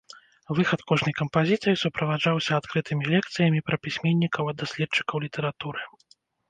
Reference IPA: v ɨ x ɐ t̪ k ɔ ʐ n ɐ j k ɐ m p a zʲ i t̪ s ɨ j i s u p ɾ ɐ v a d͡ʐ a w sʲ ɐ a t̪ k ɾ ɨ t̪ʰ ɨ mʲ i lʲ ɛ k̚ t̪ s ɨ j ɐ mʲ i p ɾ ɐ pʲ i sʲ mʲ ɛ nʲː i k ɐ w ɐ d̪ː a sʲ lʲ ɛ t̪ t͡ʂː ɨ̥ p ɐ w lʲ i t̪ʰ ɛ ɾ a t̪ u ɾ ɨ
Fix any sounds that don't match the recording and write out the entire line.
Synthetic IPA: v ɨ x ɐ t̪ k ɔ ʐ n ɐ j k ɐ m p a zʲ i t̪ s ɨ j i s u p ɾ ɐ v a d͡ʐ a w sʲ ɐ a t̪ k ɾ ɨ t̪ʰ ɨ mʲ i lʲ ɛ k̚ t̪ s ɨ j ɐ mʲ i p ɾ ɐ pʲ i sʲ mʲ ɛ nʲː i k ɐ w ɐ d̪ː a sʲ lʲ ɛ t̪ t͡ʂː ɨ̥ k ɐ w lʲ i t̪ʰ ɛ ɾ a t̪ u ɾ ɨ